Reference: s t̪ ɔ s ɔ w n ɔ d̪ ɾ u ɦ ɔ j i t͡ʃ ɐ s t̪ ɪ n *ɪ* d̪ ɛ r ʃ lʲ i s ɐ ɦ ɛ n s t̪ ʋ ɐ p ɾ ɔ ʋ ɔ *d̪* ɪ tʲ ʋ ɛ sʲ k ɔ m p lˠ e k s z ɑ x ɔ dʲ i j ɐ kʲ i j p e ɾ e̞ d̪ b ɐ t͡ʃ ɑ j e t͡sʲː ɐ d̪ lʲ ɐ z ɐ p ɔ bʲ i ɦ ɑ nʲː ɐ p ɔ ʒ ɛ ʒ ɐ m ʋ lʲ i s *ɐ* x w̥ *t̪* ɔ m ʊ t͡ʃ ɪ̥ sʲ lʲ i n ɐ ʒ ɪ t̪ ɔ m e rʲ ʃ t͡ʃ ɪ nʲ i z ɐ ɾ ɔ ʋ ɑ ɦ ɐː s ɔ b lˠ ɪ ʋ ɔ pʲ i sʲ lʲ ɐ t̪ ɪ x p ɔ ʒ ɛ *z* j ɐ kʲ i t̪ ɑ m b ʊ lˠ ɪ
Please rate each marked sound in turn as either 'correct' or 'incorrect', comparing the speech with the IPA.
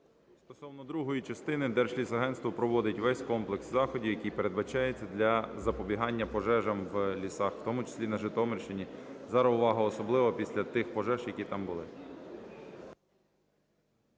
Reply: correct, correct, incorrect, correct, incorrect

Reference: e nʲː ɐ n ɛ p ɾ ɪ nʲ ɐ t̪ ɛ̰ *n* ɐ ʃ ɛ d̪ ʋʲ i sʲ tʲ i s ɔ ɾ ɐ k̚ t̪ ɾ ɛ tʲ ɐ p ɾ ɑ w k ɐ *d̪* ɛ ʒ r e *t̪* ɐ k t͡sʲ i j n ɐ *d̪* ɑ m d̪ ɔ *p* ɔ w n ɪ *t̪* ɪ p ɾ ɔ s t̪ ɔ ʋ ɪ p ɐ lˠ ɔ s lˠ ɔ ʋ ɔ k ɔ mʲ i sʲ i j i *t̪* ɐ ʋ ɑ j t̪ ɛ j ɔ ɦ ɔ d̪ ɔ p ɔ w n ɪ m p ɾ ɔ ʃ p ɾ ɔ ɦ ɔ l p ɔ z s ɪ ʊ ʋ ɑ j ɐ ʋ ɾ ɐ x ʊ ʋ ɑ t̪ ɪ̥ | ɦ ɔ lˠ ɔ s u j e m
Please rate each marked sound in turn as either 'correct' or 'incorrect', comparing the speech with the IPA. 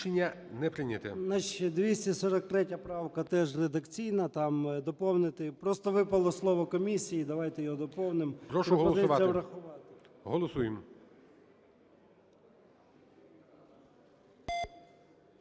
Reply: correct, incorrect, incorrect, incorrect, correct, correct, incorrect

